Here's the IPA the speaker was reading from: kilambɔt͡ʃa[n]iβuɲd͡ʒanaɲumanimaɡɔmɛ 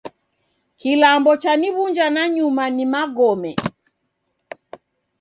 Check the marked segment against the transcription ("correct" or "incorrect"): correct